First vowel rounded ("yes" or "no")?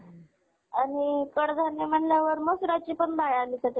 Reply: no